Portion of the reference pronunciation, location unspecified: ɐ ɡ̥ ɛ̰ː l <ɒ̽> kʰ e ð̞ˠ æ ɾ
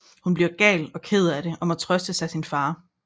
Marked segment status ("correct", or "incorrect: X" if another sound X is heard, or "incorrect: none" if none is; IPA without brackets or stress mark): correct